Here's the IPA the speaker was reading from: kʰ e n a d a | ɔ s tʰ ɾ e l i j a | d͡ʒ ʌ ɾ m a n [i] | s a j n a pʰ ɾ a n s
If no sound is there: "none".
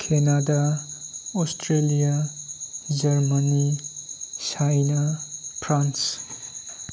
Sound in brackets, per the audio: i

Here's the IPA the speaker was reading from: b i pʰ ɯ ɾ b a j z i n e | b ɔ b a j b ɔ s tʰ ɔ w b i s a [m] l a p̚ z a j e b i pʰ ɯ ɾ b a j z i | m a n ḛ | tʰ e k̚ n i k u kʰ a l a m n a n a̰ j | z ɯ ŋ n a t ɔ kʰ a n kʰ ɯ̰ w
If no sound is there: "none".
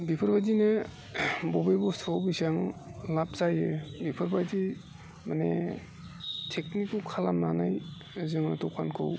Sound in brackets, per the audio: ŋ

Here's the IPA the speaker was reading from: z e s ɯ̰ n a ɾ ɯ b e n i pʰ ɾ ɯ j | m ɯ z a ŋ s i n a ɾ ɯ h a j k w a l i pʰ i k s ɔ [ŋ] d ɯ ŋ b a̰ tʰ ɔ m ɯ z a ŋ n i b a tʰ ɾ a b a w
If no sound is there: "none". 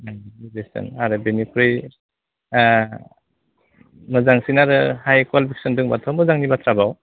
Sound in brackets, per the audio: n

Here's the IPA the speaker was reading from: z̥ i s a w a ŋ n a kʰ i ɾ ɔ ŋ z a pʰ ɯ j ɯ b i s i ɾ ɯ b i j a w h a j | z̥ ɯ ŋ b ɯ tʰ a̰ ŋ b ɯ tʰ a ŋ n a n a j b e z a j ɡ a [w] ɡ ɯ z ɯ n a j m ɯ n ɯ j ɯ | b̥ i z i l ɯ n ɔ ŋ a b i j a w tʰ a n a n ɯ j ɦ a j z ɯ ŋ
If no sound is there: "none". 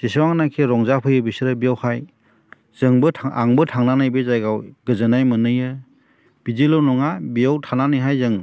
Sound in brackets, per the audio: w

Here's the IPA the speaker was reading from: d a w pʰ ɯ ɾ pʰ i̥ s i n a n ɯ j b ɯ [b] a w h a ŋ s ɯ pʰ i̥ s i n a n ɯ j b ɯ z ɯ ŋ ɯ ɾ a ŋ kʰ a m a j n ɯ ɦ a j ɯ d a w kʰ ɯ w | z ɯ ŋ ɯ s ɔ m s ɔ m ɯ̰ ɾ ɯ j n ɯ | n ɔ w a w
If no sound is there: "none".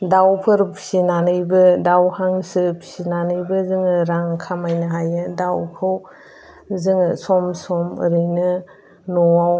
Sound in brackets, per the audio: d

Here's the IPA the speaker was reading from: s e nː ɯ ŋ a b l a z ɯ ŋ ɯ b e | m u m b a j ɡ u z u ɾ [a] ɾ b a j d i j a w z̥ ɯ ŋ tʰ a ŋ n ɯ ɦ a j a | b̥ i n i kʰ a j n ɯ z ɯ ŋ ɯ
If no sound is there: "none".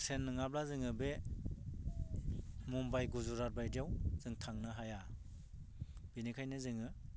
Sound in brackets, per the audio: a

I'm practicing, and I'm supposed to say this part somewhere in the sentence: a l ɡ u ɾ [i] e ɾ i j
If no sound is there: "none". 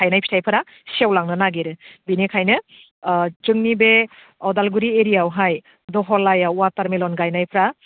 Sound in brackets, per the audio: i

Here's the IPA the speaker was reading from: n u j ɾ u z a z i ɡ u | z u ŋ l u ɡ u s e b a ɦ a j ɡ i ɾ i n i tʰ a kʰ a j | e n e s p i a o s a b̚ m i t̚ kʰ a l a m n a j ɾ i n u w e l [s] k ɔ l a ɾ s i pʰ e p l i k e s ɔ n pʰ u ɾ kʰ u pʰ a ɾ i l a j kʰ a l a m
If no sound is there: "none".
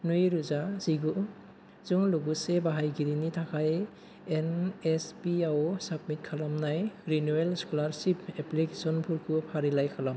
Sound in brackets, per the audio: s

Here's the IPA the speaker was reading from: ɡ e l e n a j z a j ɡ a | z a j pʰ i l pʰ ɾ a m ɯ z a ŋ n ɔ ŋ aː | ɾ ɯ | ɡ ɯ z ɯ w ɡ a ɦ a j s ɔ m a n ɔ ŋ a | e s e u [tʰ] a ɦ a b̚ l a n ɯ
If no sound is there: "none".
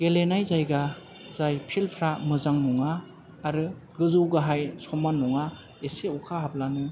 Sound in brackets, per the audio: kʰ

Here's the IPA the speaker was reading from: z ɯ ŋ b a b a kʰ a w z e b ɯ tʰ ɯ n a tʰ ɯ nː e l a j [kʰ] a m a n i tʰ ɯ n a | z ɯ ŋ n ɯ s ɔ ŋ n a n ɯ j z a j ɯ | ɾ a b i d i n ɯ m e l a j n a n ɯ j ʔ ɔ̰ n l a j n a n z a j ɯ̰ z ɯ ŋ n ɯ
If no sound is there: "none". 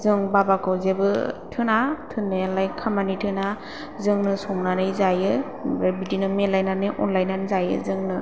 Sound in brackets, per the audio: kʰ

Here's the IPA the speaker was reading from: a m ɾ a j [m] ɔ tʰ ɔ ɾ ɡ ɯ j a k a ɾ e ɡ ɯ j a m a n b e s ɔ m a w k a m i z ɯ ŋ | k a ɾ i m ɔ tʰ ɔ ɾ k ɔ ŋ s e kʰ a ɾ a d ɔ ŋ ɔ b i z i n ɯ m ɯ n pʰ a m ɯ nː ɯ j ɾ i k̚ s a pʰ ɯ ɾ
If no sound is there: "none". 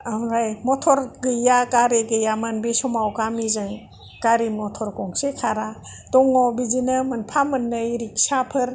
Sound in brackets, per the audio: m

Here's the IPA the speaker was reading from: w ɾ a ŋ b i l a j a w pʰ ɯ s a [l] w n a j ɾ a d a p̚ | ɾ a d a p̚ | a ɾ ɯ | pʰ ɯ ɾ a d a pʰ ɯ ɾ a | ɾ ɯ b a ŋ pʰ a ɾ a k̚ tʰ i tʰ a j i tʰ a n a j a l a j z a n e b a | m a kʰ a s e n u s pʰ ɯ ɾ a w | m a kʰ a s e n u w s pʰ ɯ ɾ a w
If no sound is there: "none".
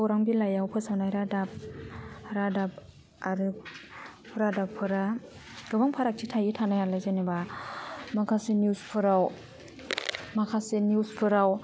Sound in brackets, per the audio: none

